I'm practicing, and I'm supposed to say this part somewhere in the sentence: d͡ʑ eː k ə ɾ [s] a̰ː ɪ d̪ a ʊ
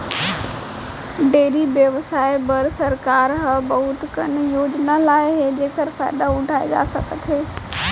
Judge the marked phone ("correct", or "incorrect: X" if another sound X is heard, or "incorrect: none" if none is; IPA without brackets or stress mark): incorrect: f